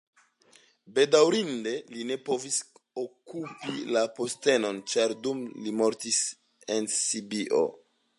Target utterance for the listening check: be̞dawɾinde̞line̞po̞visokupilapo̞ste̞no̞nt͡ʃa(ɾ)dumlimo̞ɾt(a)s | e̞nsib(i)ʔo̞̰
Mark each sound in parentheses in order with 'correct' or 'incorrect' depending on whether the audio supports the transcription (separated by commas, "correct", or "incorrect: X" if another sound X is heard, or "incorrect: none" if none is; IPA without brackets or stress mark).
correct, incorrect: i, correct